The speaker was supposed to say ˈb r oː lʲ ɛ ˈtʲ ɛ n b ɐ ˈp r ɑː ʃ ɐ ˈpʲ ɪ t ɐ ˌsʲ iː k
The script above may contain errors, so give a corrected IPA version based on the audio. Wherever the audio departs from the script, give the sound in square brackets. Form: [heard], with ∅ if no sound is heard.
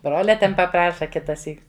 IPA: ˈb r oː lʲ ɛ ˈtʲ ɛ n [p] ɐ ˈp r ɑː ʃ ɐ [ˈkʲ] ɪ t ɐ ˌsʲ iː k